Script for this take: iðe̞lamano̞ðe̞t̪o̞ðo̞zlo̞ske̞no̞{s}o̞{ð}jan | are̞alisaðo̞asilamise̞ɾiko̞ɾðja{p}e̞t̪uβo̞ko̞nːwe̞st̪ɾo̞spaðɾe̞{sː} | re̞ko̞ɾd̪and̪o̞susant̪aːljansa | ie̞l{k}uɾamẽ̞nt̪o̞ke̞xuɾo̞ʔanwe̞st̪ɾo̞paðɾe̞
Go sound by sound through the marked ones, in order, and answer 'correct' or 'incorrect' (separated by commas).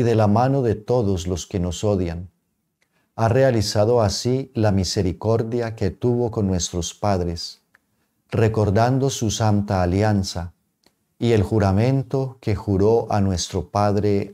correct, correct, incorrect, incorrect, incorrect